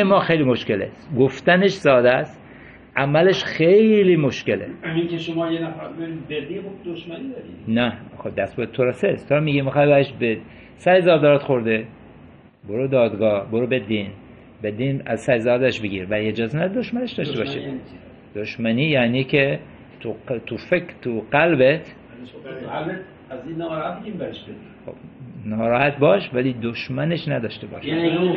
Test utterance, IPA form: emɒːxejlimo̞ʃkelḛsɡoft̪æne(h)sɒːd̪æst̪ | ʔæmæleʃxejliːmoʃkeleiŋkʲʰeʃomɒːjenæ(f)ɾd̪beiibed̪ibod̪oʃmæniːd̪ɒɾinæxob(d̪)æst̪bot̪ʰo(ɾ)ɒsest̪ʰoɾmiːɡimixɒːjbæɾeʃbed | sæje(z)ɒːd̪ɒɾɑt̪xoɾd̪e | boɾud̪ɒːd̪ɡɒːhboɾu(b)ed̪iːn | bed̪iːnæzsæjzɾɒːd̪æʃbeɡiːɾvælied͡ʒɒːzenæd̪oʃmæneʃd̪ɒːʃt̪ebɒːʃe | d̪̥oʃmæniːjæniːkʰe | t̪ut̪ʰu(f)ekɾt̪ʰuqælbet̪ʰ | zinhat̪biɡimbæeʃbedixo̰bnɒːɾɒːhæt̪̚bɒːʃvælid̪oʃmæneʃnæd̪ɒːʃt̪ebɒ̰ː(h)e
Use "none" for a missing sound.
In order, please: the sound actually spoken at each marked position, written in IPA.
ʃ, f, d̪, ɾ, z, b, f, ʃ

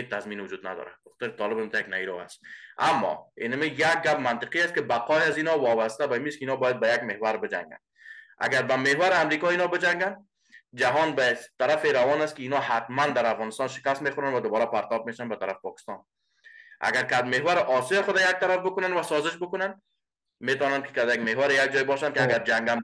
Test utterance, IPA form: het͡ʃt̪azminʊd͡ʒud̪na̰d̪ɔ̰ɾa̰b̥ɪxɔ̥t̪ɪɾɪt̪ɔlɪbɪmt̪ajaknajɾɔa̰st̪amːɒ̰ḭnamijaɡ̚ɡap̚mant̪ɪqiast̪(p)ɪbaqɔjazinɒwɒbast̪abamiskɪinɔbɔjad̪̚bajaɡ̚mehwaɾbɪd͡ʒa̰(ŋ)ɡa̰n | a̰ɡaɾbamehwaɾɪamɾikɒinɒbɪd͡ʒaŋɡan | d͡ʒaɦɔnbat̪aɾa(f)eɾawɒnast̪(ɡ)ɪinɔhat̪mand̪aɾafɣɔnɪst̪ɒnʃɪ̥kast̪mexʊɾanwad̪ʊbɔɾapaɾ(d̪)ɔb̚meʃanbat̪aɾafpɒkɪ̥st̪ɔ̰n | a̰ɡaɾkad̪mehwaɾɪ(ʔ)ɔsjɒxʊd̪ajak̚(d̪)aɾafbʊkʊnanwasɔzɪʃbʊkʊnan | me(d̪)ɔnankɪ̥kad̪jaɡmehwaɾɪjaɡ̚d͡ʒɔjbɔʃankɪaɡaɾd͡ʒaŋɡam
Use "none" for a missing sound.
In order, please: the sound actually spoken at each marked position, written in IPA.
k, ŋ, f, k, t̪, ʔ, t̪, t̪

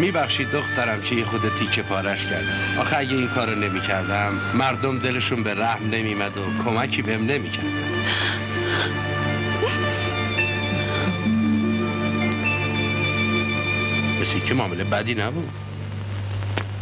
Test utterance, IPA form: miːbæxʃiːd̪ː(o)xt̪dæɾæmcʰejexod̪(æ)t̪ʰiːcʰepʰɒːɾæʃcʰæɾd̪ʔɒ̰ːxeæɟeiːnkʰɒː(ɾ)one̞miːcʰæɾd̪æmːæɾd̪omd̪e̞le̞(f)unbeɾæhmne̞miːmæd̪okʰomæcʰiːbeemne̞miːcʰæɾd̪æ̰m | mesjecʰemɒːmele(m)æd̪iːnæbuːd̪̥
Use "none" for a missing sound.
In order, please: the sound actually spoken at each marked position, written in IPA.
o, e, ɾ, ʃ, b

